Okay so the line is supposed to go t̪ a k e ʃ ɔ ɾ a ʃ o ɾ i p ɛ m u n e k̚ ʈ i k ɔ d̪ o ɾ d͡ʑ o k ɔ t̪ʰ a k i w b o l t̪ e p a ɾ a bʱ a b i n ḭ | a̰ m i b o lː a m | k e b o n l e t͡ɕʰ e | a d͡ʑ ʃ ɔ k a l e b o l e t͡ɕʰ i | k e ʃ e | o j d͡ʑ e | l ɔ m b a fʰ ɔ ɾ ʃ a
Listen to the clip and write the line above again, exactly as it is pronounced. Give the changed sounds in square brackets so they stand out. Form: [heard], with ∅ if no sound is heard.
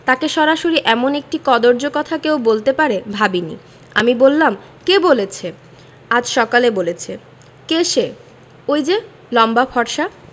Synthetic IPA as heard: t̪ a k e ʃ ɔ ɾ a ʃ o ɾ i [ʔ] ɛ m [o] n e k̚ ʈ i k ɔ d̪ o ɾ d͡ʑ o k ɔ t̪ʰ a k [e] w b o l t̪ e p a ɾ [e] bʱ a b i n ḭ | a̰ m i b o lː a m | k e b o [∅] l e t͡ɕʰ e | a d͡ʑ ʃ ɔ k a l e b o l e t͡ɕʰ [e] | k e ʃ e | o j d͡ʑ e | l ɔ m b a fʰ ɔ ɾ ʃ a

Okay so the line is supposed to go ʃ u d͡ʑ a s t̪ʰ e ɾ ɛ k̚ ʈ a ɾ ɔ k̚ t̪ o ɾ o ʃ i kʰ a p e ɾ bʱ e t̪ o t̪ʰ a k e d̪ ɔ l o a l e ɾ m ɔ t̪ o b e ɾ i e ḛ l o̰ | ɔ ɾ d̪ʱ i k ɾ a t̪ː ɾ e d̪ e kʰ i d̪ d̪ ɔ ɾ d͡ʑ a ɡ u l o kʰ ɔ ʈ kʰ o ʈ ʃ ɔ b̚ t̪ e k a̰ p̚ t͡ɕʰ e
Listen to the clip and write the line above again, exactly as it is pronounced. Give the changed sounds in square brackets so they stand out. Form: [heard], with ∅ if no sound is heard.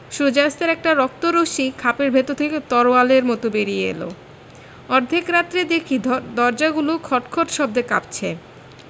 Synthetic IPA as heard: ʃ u d͡ʑ a s [t̪] e ɾ ɛ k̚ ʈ a ɾ ɔ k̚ t̪ o ɾ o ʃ i kʰ a p e ɾ bʱ e t̪ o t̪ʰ [e] k e [t̪] ɔ [ɾ] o a l e ɾ m ɔ t̪ o b e ɾ i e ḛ l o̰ | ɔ ɾ d̪ʱ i k ɾ a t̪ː ɾ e d̪ e kʰ i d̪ d̪ ɔ ɾ d͡ʑ a ɡ u l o kʰ ɔ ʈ kʰ o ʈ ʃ ɔ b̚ [d̪] e k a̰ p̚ t͡ɕʰ e

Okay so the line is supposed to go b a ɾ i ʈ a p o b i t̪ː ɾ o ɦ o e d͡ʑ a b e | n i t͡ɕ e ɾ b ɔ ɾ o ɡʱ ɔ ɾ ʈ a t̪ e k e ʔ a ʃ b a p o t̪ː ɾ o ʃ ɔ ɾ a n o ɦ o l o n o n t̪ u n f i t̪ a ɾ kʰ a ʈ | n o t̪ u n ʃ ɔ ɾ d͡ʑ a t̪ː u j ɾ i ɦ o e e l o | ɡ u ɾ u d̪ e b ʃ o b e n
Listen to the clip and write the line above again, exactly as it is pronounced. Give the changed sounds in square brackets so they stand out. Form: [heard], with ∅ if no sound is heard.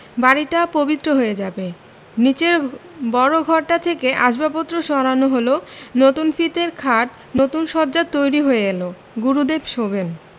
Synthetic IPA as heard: b a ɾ i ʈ a p o b i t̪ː ɾ o ɦ o e d͡ʑ a b e | n i t͡ɕ e ɾ b ɔ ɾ o ɡʱ ɔ ɾ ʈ a [t̪ʰ] e k e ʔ a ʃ b a p o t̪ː ɾ o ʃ ɔ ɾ a n o ɦ o l o n o [∅] t̪ u n f i t̪ [e] ɾ kʰ a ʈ | n o t̪ u n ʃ ɔ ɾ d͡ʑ a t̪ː [o] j ɾ i ɦ o e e l o | ɡ u ɾ u d̪ e b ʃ o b e n

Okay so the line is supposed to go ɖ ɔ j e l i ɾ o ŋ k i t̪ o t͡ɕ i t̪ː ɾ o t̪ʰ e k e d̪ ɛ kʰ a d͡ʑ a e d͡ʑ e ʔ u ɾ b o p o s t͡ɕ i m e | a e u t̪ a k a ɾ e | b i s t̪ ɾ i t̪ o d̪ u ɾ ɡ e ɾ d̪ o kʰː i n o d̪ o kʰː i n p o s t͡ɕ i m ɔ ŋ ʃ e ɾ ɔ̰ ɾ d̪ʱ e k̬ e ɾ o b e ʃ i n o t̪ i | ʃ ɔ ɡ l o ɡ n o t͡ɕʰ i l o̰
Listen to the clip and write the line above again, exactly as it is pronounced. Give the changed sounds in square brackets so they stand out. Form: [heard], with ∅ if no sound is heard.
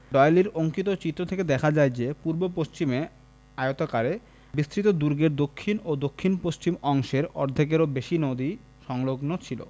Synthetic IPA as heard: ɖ ɔ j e l i ɾ o ŋ k i t̪ o t͡ɕ i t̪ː ɾ o t̪ʰ e k e d̪ ɛ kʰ a d͡ʑ a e d͡ʑ e [p] u ɾ b o p o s t͡ɕ i m e | a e [o] t̪ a k a ɾ e | b i s t̪ ɾ i t̪ o d̪ u ɾ ɡ e ɾ d̪ o kʰː i n o d̪ o kʰː i n p o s t͡ɕ i m ɔ ŋ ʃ e ɾ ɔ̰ ɾ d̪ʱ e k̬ e ɾ o b e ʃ i n o [d̪] i | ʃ ɔ [ŋ] l o ɡ n o t͡ɕʰ i l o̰

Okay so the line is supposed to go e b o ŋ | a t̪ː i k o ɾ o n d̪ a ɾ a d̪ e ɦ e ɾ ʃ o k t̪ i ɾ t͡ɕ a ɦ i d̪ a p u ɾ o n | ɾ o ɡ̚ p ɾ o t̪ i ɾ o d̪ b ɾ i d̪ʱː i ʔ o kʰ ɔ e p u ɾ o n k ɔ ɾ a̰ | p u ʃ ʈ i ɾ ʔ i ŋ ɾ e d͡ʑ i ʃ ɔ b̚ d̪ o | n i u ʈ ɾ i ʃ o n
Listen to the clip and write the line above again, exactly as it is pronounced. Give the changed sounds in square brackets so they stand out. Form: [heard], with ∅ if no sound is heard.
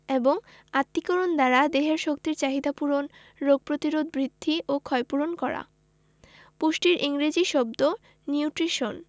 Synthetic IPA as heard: e b o ŋ | a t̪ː i k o ɾ o n d̪ a ɾ a d̪ e ɦ e ɾ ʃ o k t̪ i ɾ t͡ɕ a ɦ i d̪ a p u ɾ o n | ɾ o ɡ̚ p ɾ o t̪ i ɾ o d̪ b ɾ i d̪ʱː i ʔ o kʰ ɔ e p u ɾ o n k ɔ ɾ a̰ | p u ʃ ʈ i ɾ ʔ i ŋ ɾ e d͡ʑ i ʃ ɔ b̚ d̪ o | n i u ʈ ɾ i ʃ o n

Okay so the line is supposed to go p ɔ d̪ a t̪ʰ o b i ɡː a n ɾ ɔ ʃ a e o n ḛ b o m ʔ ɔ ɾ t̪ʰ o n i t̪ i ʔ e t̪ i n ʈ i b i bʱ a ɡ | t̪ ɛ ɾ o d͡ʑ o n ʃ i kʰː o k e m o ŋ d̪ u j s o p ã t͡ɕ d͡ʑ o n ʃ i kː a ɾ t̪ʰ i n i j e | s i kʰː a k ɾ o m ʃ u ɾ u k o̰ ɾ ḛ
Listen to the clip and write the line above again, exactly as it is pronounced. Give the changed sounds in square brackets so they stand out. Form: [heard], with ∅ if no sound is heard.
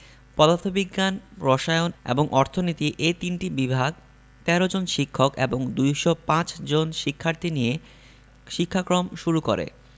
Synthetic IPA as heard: p ɔ d̪ a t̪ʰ o b i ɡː a n ɾ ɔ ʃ a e o n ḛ b o [ŋ] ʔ ɔ ɾ t̪ʰ o n i t̪ i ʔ e t̪ i n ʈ i b i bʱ a ɡ | t̪ ɛ ɾ o d͡ʑ o n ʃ i kʰː o k e [b] o ŋ d̪ u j [ʃ] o p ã t͡ɕ d͡ʑ o n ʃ i [kʰː] a ɾ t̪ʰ i n i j e | [ʃ] i kʰː a k ɾ o m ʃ u ɾ u k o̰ ɾ ḛ

